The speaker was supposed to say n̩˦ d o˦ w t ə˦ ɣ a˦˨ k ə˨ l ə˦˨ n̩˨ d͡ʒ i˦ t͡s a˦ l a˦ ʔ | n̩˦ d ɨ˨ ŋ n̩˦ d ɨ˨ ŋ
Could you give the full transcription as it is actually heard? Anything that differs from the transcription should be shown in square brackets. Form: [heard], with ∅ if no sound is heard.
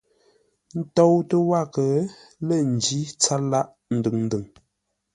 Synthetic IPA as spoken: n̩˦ [t] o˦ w t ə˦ [w] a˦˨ k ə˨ l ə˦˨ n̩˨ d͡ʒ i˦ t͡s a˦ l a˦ ʔ | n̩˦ d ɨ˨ ŋ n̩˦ d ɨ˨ ŋ